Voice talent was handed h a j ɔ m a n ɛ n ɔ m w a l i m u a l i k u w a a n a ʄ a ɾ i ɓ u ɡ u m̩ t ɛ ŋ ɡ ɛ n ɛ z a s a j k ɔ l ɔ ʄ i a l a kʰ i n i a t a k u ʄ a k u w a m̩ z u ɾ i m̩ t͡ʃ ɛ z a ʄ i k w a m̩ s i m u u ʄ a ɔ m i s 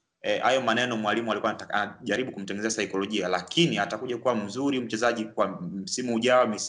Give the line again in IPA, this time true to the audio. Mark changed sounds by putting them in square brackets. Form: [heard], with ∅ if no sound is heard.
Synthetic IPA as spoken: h a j ɔ m a n ɛ n ɔ m w a l i m u a l i k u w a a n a ʄ a ɾ i ɓ u [k] u m̩ t ɛ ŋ ɡ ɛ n ɛ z a s a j k ɔ l ɔ ʄ i a l a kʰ i n i a t a k u ʄ a k u w a m̩ z u ɾ i m̩ t͡ʃ ɛ z a ʄ i k w a m̩ s i m u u ʄ a ɔ m i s